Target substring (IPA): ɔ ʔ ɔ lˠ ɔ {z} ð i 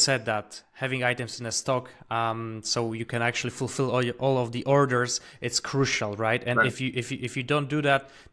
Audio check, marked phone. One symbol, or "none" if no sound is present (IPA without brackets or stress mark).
v